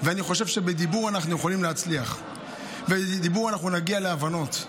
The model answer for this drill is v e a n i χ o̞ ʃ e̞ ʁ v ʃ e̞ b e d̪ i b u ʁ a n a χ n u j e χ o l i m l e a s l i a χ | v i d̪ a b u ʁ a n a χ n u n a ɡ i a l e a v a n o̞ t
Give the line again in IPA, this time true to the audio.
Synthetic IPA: v e a n i χ o̞ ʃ e̞ v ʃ e̞ b e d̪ i b u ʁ a n a χ n u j e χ o l i m l e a t͡s l i a χ | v e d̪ i b u ʁ a n a χ n u n a ɡ i a l e a v a n o̞ t

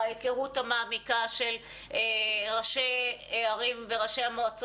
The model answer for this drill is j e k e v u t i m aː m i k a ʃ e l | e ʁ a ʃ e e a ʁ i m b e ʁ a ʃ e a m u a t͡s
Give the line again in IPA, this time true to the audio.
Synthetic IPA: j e k e ʁ u t a m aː m i k a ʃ e l | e ʁ a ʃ e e a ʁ i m v e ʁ a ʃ e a m o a t͡s

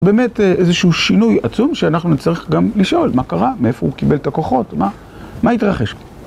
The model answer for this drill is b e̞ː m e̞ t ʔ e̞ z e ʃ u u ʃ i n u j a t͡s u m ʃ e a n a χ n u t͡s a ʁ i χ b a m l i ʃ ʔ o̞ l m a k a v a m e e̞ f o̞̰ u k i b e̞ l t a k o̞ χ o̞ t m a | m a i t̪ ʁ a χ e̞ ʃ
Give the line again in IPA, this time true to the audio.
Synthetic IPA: b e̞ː m e̞ t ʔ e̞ z e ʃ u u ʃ i n u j a t͡s u m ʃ e a n a χ n u t͡s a ʁ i χ ɡ a m l i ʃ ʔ o̞ l m a k a ʁ a m e e̞ f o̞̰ u k i b e̞ l t a k o̞ χ o̞ t m a | m a i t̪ ʁ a χ e̞ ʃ

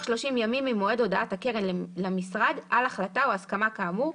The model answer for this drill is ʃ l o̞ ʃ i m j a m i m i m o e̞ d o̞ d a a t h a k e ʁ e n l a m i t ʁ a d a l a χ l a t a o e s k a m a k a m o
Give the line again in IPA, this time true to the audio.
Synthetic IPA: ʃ l o̞ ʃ i m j a m i m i m o e̞ d o̞ d a a t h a k e ʁ e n l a m i s ʁ a d a l a χ l a t a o a s k a m a k a m u

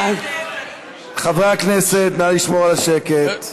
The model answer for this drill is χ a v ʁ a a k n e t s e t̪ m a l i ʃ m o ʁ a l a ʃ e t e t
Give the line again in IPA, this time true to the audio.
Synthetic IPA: χ a v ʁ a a k n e s e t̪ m a l i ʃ m o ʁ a l a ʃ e k e t

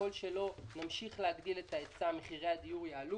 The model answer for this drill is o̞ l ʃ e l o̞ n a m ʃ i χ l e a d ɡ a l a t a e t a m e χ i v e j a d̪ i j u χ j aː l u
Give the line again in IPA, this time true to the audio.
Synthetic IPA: o̞ l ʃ e l o̞ n a m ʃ i χ l e a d ɡ i l e t a e t͡s a m e χ i ʁ e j a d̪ i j u ʁ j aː l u

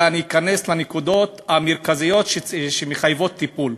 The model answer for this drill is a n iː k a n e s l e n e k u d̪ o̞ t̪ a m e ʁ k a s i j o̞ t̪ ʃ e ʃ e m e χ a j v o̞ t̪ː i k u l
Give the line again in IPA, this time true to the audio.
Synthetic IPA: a n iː k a n e s l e n e k u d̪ o̞ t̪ a m e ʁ k a z i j o̞ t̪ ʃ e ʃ e m e χ a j v o̞ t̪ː i p u l

